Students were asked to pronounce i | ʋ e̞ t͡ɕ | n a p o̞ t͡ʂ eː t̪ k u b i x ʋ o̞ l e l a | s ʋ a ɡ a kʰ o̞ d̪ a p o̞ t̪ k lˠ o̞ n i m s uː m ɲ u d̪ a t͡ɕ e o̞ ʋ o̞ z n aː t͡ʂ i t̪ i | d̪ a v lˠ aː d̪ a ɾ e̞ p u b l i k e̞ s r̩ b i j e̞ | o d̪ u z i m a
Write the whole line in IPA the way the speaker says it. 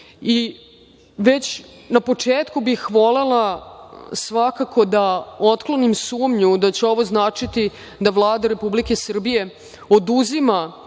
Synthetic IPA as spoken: i | ʋ e̞ t͡ɕ | n a p o̞ t͡ʂ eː t̪ k u b i x ʋ o̞ l e l a | s ʋ a k a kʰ o̞ d̪ a o̞ t̪ k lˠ o̞ n i m s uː m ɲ u d̪ a t͡ɕ e o̞ ʋ o̞ z n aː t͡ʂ i t̪ i | d̪ a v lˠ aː d̪ a ɾ e̞ p u b l i k e̞ s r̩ b i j e̞ | o d̪ u z i m a